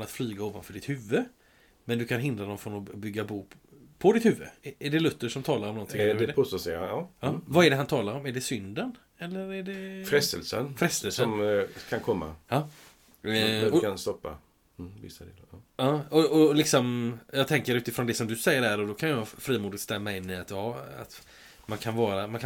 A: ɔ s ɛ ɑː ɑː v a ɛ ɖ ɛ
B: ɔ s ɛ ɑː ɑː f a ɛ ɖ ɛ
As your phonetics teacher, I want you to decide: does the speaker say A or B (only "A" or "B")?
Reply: A